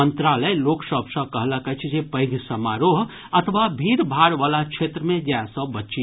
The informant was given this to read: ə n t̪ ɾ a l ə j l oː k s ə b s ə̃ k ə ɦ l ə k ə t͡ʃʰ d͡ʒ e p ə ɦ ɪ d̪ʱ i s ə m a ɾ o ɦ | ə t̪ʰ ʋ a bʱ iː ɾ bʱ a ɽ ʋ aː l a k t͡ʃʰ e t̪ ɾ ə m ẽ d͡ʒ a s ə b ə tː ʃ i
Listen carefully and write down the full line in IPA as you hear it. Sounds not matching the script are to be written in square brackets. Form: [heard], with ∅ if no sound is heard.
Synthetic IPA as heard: ə n t̪ ɾ a l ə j l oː k s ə b s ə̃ k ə ɦ l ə k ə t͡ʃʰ d͡ʒ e p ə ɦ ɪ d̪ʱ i s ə m a ɾ o ɦ | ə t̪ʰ ʋ a bʱ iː ɾ bʱ a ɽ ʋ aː l a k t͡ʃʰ e t̪ ɾ ə m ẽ d͡ʒ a s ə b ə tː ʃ i